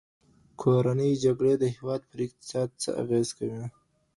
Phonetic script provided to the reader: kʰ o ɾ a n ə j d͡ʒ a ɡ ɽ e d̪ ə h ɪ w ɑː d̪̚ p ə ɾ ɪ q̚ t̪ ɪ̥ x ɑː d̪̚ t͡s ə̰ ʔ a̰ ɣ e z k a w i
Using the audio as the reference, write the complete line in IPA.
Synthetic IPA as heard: kʰ o ɾ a n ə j d͡ʒ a ɡ ɽ e d̪ ə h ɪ w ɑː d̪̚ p ə ɾ ɪ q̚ t̪ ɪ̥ s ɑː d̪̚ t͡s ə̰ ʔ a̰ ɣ e z k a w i